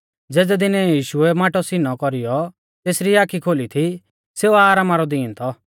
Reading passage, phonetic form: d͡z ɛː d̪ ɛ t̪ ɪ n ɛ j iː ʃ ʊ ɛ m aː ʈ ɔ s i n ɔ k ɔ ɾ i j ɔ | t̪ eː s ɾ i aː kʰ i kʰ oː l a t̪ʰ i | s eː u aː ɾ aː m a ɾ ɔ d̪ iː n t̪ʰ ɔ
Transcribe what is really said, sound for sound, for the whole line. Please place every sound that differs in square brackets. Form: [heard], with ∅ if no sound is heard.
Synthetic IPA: d͡z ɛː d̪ ɛ [d̪] ɪ n ɛ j iː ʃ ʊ ɛ m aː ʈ ɔ s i n ɔ k ɔ ɾ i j ɔ | t̪ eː s ɾ i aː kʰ i kʰ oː l [i] t̪ʰ i | s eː u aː ɾ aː m a ɾ ɔ d̪ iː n t̪ʰ ɔ